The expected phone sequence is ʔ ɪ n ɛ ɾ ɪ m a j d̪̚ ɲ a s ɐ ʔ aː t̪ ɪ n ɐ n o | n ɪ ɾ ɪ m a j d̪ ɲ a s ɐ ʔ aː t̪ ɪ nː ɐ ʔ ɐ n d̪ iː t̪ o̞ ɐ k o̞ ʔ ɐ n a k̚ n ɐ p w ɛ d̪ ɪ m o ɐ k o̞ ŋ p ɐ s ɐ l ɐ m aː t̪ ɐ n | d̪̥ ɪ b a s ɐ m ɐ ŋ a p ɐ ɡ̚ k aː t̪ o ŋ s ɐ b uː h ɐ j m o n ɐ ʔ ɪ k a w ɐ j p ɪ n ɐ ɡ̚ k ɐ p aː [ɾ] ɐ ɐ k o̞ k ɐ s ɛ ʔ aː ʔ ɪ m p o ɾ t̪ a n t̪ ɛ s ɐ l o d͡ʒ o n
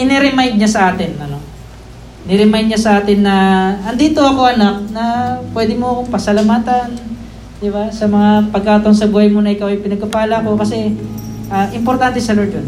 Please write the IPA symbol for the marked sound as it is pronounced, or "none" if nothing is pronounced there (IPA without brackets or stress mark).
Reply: l